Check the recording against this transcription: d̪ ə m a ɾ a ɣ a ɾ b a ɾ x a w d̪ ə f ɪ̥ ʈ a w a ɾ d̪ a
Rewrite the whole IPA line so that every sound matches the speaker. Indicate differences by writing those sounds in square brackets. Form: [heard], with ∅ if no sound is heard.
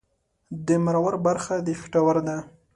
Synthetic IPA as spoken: d̪ ə m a ɾ a [w] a ɾ b a ɾ x a [∅] d̪ ə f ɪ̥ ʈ a w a ɾ d̪ a

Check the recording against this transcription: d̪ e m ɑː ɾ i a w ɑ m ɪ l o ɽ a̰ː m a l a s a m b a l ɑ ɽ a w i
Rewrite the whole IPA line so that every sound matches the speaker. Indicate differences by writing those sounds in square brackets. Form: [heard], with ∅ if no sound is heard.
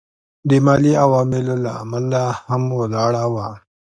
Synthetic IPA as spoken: d̪ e m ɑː [l] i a w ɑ m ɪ l o [l] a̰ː m a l a [h] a m [w] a l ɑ ɽ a w [a]

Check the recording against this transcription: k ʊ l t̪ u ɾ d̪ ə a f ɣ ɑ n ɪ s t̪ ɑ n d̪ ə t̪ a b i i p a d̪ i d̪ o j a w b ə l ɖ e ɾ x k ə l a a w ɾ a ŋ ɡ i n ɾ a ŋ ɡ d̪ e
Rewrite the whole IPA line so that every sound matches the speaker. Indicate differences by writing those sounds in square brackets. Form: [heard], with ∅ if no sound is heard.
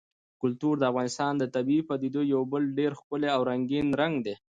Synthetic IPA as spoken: k ʊ l t̪ u ɾ d̪ ə a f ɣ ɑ n ɪ s t̪ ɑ n d̪ ə t̪ a b i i p a d̪ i d̪ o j a w b ə l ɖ e ɾ x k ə l [e] a w ɾ a ŋ ɡ i n ɾ a ŋ ɡ d̪ e

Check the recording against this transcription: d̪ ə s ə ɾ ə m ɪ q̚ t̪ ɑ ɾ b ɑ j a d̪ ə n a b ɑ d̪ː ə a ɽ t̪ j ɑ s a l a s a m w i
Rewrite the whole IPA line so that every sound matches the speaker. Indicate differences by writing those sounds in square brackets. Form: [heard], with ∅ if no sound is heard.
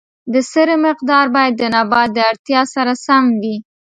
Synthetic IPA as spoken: d̪ ə s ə ɾ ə m ɪ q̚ [d̪] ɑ ɾ b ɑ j a [d̪ː] ə n a b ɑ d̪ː ə a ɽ t̪ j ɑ s a [ɾ] a s a m w i

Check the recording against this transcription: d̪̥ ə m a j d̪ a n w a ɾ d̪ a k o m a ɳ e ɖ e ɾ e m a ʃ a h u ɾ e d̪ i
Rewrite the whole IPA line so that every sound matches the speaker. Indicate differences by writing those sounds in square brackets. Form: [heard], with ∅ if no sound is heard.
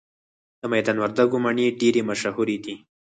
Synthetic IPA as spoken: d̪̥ ə m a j d̪ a n w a ɾ d̪ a [ɡ] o m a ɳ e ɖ e ɾ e m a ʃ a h u ɾ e d̪ i

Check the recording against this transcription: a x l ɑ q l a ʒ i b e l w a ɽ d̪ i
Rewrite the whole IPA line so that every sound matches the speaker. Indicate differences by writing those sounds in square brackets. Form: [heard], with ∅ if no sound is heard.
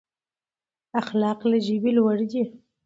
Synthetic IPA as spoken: a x l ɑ q l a ʒ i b [i] l w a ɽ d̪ i

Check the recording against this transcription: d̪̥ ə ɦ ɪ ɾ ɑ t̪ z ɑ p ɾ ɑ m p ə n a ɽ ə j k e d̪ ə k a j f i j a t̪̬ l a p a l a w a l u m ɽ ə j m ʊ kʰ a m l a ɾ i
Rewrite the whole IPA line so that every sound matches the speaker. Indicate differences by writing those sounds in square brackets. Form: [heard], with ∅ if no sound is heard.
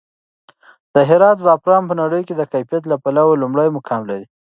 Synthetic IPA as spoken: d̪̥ ə ɦ ɪ ɾ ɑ t̪ z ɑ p ɾ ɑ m p ə n a ɽ ə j k e d̪ ə k a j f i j a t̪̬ l a p a l a w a l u m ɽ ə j m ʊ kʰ [ɑ] m l a ɾ i

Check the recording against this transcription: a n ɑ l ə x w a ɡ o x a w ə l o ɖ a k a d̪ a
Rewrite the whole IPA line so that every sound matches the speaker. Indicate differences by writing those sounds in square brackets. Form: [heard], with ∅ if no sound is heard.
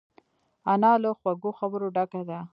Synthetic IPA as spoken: a n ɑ l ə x w a ɡ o x a [b] ə [ɾ] o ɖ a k a d̪ a

